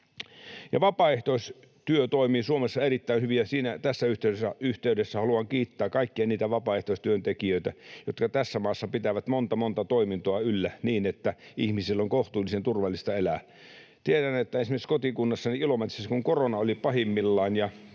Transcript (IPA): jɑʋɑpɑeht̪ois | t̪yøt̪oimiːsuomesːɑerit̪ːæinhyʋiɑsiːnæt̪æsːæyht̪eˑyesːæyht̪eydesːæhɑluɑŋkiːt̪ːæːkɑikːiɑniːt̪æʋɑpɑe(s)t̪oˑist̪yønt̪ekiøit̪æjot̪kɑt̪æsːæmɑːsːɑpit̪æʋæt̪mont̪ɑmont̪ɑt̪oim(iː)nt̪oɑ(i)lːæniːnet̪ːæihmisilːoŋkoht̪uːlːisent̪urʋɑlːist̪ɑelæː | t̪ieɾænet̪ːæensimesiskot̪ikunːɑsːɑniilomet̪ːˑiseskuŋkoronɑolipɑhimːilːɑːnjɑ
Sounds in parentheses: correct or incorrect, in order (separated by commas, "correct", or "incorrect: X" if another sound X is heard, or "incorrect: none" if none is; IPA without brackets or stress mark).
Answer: incorrect: h, incorrect: i, incorrect: y